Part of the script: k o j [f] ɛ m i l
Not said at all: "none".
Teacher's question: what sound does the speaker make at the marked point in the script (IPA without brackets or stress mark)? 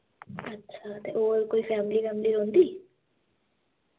f